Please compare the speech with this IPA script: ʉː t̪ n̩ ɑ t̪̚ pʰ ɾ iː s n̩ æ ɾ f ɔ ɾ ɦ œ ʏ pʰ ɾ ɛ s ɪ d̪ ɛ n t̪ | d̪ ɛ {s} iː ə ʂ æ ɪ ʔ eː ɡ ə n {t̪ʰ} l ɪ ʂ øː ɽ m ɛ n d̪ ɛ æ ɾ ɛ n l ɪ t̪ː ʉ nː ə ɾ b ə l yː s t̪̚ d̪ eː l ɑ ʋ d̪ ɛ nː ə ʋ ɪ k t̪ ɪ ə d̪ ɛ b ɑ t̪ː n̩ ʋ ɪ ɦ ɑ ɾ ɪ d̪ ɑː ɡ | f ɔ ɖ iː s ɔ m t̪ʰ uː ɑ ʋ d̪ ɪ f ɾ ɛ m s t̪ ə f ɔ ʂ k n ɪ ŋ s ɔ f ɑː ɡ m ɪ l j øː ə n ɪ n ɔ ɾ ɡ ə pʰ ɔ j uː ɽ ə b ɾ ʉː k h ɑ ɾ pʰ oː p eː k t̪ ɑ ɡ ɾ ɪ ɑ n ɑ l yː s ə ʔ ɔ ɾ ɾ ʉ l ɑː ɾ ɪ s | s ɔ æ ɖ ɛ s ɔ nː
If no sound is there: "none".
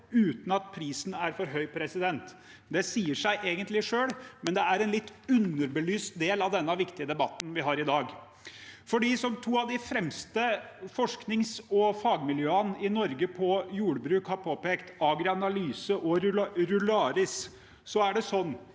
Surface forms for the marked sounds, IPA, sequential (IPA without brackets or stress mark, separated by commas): s, t̪